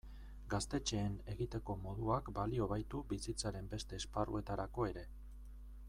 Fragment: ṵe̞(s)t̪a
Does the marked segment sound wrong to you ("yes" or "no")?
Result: yes